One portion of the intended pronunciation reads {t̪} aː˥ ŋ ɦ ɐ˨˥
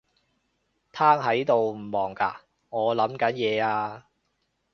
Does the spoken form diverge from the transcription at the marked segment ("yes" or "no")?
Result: yes